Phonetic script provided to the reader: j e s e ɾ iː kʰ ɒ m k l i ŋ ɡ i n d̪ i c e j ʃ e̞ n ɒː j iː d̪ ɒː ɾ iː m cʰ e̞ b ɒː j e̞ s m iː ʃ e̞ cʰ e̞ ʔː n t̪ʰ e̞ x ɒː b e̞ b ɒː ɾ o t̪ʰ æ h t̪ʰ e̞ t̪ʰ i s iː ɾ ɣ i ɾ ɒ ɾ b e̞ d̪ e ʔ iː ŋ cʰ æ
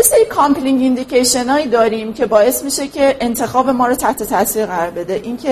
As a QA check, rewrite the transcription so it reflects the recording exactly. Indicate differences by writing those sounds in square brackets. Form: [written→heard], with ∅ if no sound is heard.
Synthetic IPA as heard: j e s e ɾ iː kʰ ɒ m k l i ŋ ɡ i n d̪ i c e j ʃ e̞ n ɒː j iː d̪ ɒː ɾ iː m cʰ e̞ b ɒː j e̞ s m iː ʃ e̞ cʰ e̞ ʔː n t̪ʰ e̞ x ɒː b e̞ [b→m] ɒː ɾ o t̪ʰ æ h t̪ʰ e̞ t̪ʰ [i→æ] s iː ɾ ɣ [i→æ] ɾ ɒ ɾ b e̞ d̪ e ʔ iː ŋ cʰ [æ→e]